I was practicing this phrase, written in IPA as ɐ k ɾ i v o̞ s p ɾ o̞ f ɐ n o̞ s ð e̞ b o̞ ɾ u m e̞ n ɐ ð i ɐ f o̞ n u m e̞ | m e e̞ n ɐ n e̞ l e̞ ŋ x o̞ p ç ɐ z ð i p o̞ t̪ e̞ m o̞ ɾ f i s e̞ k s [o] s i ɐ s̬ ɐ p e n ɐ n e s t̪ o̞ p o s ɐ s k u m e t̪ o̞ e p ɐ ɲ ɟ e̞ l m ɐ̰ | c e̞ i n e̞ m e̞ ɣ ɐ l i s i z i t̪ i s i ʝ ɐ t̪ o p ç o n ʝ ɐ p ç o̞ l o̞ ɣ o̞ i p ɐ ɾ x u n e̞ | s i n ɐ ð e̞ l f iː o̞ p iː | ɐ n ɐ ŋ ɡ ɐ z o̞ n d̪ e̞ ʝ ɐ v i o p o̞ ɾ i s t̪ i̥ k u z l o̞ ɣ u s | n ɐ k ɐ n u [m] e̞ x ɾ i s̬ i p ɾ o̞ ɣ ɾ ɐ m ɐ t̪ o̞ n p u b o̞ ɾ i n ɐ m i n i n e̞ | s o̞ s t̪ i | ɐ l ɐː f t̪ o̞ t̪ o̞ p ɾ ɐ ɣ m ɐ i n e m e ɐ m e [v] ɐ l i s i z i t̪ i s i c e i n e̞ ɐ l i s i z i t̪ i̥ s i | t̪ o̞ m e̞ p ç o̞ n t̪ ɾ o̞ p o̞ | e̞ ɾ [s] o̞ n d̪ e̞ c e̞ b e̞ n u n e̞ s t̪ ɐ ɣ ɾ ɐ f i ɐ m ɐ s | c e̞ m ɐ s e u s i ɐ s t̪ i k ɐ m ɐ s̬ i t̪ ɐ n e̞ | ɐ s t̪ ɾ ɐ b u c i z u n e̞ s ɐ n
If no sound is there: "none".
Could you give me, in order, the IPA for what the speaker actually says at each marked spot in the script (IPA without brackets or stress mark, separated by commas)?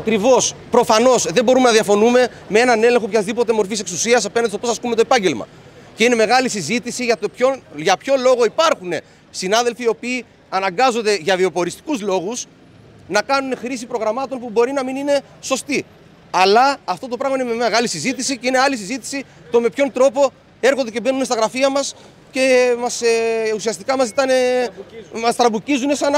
u, n, ɣ, x